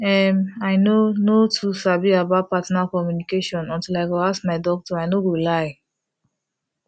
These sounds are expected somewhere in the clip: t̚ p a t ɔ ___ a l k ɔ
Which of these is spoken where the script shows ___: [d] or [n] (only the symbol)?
n